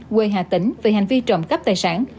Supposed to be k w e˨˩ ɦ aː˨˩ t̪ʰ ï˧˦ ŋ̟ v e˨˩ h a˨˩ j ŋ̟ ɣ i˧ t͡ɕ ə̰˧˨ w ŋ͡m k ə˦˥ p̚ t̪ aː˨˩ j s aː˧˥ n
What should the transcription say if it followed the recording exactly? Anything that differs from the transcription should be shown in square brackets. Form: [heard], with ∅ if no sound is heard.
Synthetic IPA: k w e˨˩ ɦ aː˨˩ [t̪] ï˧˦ ŋ̟ v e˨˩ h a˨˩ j ŋ̟ [v] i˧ t͡ɕ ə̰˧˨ w ŋ͡m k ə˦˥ p̚ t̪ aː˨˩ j s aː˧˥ n

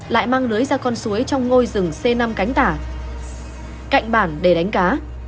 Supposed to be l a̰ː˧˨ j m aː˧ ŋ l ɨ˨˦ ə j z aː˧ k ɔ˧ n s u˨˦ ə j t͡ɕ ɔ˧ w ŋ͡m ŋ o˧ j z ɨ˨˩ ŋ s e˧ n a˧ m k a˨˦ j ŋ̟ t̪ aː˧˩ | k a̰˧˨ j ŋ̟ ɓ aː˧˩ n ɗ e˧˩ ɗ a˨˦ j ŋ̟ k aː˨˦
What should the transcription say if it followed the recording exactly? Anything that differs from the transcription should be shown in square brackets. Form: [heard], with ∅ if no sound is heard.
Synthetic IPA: l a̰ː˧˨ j m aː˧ ŋ l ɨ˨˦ ə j z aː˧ k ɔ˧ n s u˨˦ ə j t͡ɕ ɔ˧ w ŋ͡m ŋ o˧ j z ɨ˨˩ ŋ s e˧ n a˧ m k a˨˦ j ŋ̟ t̪ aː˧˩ | k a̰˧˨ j ŋ̟ ɓ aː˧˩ n ɗ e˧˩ ɗ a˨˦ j ŋ̟ k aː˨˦

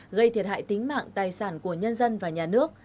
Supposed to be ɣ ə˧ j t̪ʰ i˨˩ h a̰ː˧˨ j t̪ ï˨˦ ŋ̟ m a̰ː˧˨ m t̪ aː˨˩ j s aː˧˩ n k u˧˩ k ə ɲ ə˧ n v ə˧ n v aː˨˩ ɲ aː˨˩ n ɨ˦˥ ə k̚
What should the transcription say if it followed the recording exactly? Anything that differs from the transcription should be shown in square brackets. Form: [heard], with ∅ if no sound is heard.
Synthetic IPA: ɣ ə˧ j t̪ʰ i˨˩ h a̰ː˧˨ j t̪ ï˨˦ ŋ̟ m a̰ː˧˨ [ŋ] t̪ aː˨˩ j s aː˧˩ n k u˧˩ [∅] ə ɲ ə˧ n [z] ə˧ n v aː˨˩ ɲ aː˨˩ n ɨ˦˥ ə k̚

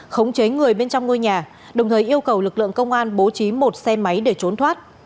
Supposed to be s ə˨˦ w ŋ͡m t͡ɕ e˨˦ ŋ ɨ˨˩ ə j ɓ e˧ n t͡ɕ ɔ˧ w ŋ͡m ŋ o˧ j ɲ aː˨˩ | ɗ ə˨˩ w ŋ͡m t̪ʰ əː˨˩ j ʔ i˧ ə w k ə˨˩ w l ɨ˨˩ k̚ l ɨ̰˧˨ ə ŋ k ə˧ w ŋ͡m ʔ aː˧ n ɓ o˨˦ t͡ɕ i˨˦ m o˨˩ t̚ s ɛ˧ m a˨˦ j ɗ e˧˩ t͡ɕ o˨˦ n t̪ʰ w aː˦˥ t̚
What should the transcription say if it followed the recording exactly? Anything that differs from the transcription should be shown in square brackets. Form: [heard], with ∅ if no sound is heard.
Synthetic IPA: [x] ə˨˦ w ŋ͡m t͡ɕ e˨˦ ŋ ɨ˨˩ ə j ɓ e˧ n t͡ɕ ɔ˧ w ŋ͡m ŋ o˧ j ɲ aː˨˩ | ɗ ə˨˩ w ŋ͡m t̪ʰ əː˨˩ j ʔ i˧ ə w k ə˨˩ w l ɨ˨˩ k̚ l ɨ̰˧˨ ə ŋ k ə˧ w ŋ͡m ʔ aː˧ n ɓ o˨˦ t͡ɕ i˨˦ m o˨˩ t̚ s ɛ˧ m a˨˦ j ɗ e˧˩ t͡ɕ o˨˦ n t̪ʰ w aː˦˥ t̚

